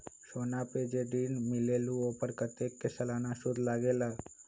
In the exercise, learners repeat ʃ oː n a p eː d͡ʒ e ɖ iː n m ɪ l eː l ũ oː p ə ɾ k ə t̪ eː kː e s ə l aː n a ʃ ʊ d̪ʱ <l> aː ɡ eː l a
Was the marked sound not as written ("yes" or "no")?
no